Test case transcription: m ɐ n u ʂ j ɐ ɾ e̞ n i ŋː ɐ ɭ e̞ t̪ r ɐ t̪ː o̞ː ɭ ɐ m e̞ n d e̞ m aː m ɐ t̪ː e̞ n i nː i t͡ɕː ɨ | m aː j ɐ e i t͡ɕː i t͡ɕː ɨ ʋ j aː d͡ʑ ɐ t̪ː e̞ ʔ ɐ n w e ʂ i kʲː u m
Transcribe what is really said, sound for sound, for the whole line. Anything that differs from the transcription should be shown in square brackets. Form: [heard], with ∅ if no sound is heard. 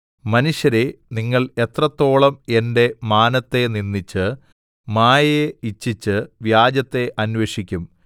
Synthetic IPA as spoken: m ɐ n u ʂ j ɐ ɾ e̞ n i ŋː ɐ ɭ e̞ t̪ r ɐ t̪ː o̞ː ɭ ɐ m e̞ n d e̞ m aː [n] ɐ t̪ː e̞ n i nː i t͡ɕː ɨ | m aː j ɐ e i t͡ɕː i t͡ɕː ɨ ʋ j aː d͡ʑ ɐ t̪ː e̞ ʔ ɐ n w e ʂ i kʲː u m